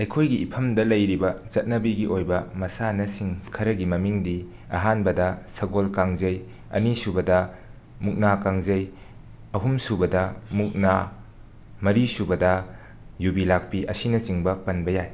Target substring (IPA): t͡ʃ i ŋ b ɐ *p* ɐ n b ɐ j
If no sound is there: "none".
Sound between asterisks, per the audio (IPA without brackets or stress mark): p